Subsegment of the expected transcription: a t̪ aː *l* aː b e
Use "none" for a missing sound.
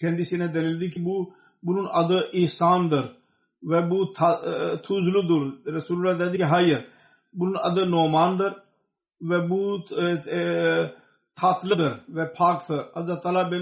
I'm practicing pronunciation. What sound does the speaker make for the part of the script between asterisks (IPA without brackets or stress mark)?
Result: l